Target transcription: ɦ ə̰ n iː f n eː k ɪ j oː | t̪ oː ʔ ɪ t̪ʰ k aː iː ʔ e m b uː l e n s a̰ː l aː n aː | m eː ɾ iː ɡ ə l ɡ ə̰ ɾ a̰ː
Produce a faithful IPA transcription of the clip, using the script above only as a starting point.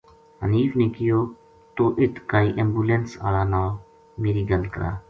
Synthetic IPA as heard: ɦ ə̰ n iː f n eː k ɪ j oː | t̪ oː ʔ ɪ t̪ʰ k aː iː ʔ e m b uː l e n s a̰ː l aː n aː | m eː ɾ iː ɡ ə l k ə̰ ɾ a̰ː

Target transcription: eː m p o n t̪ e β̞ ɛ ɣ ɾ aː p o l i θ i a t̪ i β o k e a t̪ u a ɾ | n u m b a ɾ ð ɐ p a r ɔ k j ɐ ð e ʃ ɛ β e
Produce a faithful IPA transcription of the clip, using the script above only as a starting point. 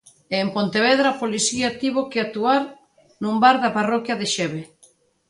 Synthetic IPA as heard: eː m p o n t̪ e β̞ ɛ ð ɾ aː p o l i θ i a t̪ i β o k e a t̪ u a ɾ | n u m b a ɾ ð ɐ p a r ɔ k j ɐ ð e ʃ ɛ β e

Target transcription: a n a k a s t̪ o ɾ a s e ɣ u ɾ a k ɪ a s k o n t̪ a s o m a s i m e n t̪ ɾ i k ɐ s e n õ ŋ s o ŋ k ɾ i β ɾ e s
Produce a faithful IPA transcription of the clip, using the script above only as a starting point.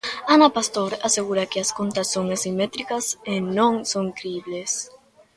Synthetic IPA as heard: a n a p a s t̪ o ɾ a s e ɣ u ɾ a k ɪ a s k o n t̪ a s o ŋ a s i m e t̪ ɾ i k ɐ s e n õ ŋ s o ŋ k ɾ i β l e s

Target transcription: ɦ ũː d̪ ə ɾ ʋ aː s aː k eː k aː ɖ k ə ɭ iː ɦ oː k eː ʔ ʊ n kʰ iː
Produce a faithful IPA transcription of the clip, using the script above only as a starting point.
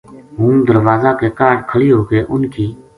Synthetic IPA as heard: ɦ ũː d̪ ə ɾ ʋ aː z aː k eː k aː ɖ kʰ ə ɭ iː ɦ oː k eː ʔ ʊ n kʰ iː

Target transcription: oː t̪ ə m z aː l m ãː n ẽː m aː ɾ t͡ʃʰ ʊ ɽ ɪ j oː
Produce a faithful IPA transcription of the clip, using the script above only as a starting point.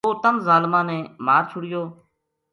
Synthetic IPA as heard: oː t̪ ə m z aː l m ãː n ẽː m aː ɾ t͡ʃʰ ʊ ɽ ɪ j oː

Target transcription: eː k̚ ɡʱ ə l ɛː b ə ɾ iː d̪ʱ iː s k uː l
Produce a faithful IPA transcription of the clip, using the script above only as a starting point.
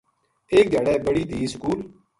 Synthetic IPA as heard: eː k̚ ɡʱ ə ɽ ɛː b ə ɽ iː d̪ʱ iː s k uː l

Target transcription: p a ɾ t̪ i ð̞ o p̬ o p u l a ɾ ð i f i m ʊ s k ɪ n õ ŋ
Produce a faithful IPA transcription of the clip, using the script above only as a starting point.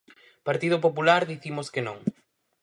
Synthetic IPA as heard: p a ɾ t̪ i ð̞ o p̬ o p u l a ɾ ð i θ i m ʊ s k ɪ n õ ŋ

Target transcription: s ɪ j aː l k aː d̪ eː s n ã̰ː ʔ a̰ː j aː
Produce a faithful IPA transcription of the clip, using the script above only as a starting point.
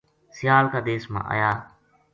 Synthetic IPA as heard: s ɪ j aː l k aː d̪ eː s m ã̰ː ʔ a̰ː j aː

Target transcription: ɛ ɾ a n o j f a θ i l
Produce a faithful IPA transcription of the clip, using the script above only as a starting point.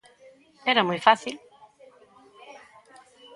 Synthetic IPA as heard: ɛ ɾ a m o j f a θ i l

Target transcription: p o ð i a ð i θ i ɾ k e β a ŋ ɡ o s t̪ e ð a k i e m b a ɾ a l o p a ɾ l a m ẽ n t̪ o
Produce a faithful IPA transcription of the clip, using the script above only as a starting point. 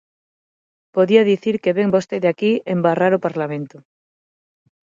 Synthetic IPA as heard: p o ð i a ð i θ i ɾ k e β e ŋ b o s t̪ e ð a k i e m b a r a ɾ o p a ɾ l a m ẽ n t̪ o

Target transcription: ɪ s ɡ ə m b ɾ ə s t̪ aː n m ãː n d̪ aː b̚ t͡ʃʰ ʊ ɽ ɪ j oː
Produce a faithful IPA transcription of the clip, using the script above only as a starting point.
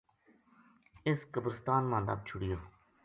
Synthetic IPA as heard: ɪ s k ə b ɾ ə s t̪ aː n m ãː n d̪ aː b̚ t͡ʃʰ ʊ ɽ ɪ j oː

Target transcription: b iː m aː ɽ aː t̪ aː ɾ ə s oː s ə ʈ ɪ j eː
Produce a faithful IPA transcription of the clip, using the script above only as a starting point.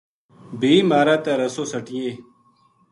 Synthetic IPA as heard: b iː m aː ɾ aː t̪ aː ɾ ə s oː s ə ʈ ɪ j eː

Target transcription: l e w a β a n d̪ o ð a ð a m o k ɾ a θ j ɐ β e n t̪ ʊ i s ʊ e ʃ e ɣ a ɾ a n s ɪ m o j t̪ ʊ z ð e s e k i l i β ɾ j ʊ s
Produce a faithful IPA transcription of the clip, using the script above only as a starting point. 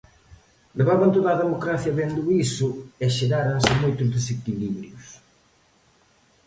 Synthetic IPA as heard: l e β a β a n t̪ o ð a ð e m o k ɾ a θ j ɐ β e n d̪ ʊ i s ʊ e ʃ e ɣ a ɾ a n s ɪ m o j t̪ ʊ z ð e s e k i l i β ɾ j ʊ s

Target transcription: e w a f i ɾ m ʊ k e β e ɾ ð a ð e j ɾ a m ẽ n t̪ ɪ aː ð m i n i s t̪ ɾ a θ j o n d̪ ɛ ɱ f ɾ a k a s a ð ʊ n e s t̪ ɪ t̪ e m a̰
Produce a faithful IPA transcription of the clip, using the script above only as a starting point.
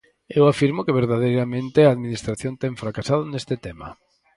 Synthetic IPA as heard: e w a f i ɾ m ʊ k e β e ɾ ð a ð e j ɾ a m ẽ n t̪ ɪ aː ð m i n i s t̪ ɾ a θ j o n t̪ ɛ ɱ f ɾ a k a s a ð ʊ n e s t̪ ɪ t̪ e m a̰

